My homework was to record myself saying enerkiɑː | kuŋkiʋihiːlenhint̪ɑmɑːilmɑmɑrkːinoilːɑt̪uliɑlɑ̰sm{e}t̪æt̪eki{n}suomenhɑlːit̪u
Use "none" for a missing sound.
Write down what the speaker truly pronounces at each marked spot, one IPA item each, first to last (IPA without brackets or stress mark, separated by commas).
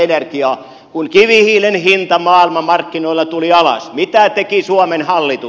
i, none